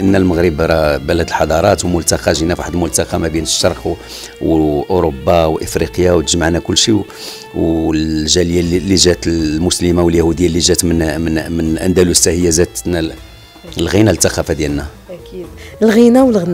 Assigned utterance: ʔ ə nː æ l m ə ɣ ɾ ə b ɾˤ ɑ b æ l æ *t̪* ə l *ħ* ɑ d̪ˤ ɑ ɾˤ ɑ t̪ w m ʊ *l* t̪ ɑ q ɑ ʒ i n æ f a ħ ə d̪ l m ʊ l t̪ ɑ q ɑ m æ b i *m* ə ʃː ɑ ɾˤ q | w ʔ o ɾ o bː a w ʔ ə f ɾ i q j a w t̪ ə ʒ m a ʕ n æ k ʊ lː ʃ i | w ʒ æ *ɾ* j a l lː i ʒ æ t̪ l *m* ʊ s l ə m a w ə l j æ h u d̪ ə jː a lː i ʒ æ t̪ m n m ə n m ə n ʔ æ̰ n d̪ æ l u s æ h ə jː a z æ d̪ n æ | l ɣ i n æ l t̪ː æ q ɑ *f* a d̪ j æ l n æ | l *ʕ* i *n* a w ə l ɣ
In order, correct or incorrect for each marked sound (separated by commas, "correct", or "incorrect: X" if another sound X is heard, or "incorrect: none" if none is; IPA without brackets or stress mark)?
incorrect: d̪, correct, correct, incorrect: n, incorrect: l, correct, correct, incorrect: ɣ, correct